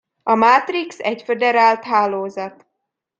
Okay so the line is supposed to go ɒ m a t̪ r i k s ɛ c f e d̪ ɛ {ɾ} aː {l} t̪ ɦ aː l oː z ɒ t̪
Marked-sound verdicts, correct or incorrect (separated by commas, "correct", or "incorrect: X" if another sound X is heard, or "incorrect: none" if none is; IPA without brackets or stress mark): correct, correct